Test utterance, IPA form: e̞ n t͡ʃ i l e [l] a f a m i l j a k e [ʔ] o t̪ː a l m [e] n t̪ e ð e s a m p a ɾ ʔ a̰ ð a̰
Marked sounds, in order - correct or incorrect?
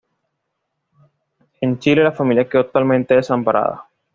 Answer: correct, incorrect: none, incorrect: ẽ

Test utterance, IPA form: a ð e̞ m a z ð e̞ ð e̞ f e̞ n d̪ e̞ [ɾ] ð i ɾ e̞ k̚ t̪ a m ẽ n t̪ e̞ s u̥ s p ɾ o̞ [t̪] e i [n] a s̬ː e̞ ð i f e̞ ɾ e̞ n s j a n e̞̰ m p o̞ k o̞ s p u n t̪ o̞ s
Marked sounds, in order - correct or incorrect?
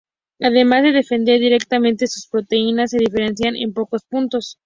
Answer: correct, correct, correct

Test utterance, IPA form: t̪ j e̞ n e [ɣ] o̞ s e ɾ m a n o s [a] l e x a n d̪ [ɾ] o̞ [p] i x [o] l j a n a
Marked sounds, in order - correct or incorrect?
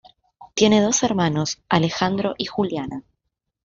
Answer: incorrect: ð, correct, correct, incorrect: ʔ, incorrect: u

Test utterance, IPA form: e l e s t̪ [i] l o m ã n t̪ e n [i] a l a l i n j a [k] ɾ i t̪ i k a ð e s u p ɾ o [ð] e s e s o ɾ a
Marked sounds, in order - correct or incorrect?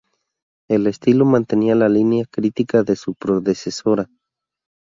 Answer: correct, correct, correct, correct

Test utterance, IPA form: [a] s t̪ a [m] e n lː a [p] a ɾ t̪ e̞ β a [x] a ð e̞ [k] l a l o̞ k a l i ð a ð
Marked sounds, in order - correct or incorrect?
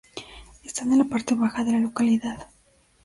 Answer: incorrect: e, incorrect: n, correct, correct, incorrect: none

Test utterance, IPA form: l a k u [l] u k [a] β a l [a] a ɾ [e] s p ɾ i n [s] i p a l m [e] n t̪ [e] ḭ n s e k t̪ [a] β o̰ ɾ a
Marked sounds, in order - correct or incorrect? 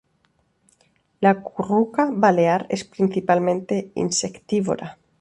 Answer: incorrect: r, correct, incorrect: e, correct, incorrect: θ, incorrect: ẽ, correct, incorrect: i

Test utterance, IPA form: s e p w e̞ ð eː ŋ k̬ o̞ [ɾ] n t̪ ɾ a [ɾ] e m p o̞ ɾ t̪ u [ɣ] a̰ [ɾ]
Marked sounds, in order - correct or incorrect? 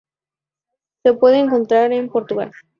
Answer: incorrect: none, correct, correct, incorrect: l

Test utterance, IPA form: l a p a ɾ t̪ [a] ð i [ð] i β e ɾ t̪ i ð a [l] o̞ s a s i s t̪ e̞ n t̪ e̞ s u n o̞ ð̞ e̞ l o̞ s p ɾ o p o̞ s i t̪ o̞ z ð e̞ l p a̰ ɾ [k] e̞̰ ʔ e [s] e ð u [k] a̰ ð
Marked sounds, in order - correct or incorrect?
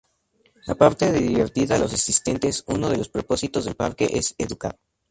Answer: incorrect: e, correct, correct, correct, correct, correct

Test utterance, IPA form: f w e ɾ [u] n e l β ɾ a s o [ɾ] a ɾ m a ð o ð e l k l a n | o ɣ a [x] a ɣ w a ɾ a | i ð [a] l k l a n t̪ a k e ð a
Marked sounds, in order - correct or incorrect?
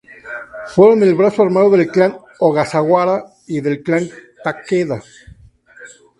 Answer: incorrect: o, incorrect: none, incorrect: s, incorrect: e

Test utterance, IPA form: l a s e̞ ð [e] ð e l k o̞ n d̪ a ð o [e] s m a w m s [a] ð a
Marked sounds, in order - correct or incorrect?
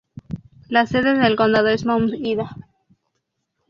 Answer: correct, correct, incorrect: i

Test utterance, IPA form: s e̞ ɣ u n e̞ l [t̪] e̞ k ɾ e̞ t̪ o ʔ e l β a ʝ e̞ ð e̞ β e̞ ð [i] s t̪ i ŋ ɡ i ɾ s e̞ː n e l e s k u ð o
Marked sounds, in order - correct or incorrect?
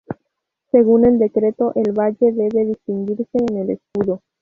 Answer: incorrect: d̪, correct

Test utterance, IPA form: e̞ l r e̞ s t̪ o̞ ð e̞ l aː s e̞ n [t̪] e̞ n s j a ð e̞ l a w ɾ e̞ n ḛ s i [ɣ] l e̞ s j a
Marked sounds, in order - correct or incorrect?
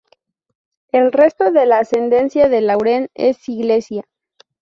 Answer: incorrect: d̪, correct

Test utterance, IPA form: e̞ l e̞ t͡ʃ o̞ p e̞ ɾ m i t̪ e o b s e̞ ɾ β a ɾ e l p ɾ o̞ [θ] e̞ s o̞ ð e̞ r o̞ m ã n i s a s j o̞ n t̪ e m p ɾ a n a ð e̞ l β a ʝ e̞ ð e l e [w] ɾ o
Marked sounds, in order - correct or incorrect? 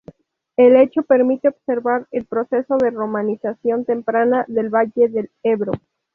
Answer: incorrect: s, incorrect: β

